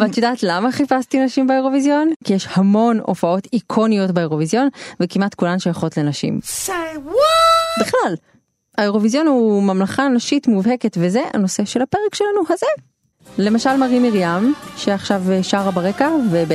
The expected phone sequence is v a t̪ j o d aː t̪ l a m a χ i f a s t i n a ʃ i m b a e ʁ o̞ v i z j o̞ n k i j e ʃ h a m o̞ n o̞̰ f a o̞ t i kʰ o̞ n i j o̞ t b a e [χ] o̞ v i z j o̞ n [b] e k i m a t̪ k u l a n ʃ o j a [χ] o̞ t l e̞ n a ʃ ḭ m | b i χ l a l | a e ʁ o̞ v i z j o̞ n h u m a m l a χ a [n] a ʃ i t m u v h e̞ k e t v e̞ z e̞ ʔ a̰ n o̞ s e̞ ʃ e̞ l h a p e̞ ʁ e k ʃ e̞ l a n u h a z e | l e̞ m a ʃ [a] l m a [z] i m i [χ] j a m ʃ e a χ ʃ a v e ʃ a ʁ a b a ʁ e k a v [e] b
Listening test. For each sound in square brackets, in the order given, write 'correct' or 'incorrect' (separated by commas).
incorrect, incorrect, correct, correct, correct, incorrect, incorrect, correct